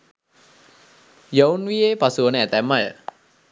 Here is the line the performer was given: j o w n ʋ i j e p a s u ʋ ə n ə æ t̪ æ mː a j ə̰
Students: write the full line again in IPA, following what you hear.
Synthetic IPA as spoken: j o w n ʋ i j e p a s u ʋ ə n ə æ t̪ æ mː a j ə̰